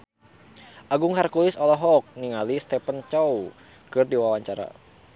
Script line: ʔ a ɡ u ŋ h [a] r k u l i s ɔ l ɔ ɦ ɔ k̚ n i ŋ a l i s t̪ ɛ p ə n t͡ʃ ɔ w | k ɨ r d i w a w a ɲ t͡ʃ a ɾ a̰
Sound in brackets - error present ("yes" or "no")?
no